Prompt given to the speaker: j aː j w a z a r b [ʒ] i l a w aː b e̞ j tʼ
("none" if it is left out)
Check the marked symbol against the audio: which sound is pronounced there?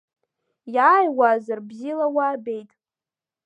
z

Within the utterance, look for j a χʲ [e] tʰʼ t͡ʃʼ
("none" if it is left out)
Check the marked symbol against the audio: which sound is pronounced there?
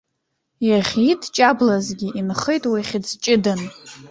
i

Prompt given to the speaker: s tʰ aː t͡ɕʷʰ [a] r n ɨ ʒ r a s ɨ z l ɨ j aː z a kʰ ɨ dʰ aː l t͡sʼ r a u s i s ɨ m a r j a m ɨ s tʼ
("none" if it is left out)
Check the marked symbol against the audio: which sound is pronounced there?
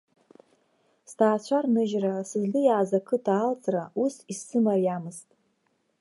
a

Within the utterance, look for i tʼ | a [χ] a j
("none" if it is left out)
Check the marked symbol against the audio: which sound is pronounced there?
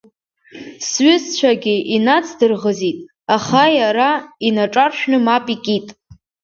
χ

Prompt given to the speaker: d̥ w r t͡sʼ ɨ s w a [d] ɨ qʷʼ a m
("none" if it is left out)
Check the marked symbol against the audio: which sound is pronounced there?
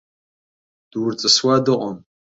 d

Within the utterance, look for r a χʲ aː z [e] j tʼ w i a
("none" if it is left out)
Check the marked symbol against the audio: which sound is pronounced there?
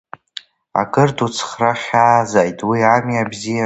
a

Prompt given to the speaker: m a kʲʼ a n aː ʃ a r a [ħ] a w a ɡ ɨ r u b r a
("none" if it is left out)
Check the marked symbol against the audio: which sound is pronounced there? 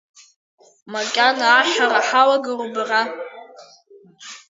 ħ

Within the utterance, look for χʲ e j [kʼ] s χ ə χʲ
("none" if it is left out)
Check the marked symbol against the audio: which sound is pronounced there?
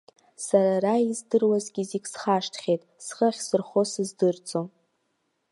tʼ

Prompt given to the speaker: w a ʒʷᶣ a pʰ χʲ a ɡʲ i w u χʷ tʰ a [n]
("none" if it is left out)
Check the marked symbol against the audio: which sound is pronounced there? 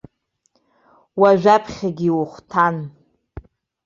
n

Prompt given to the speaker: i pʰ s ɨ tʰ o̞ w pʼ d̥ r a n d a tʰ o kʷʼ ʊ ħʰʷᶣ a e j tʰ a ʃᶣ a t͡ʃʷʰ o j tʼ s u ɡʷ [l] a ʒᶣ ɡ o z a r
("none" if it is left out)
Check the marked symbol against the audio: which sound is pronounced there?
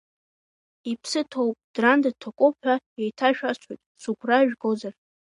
r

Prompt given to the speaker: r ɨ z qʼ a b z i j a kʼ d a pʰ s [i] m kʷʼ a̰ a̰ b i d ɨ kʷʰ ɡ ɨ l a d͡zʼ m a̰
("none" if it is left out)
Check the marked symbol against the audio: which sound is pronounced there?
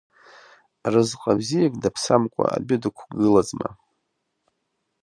a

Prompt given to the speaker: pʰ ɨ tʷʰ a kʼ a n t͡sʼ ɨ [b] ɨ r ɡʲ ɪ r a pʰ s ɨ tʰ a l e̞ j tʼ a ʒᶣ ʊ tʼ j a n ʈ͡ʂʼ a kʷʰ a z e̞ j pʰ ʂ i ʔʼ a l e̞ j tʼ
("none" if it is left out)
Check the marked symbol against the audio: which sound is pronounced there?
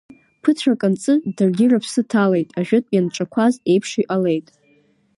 d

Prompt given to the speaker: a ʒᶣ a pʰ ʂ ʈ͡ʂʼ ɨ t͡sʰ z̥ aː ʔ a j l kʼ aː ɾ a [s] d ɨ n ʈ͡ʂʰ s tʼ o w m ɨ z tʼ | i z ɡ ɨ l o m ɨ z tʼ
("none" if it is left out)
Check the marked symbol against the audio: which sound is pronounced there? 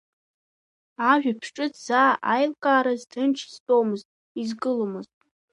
z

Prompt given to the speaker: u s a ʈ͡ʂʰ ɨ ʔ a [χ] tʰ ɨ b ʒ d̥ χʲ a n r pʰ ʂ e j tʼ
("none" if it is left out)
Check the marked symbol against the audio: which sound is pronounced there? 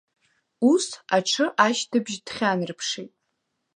ʃ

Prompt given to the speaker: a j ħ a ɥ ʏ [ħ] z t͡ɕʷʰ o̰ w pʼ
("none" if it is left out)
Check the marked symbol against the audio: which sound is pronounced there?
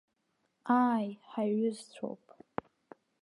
none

